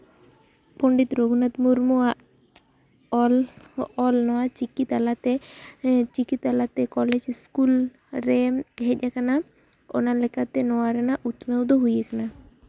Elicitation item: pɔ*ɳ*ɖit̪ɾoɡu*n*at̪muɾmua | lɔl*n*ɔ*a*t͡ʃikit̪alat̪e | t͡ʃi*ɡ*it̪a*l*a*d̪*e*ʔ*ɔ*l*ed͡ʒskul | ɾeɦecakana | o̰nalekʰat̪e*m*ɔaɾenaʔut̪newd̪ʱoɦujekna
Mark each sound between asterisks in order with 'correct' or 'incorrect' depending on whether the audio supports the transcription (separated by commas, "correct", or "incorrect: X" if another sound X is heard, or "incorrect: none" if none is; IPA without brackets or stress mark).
correct, correct, correct, correct, incorrect: k, correct, incorrect: t̪, incorrect: k, correct, incorrect: n